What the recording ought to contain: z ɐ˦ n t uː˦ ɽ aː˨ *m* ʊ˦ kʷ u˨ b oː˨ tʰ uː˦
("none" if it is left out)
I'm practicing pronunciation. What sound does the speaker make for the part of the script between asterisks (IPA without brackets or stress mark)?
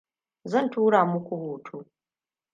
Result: m